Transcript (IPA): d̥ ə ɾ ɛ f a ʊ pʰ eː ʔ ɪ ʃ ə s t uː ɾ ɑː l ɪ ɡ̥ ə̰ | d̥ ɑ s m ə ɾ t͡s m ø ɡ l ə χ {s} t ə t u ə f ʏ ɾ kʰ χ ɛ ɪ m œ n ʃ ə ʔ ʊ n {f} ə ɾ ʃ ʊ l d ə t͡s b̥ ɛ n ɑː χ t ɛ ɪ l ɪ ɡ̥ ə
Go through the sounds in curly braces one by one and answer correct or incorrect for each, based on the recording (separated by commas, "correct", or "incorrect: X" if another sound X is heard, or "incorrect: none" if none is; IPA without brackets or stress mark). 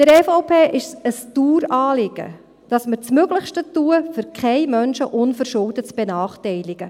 incorrect: ʃ, correct